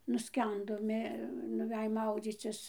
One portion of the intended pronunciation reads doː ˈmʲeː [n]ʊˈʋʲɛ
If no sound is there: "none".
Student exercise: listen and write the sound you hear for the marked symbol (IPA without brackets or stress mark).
n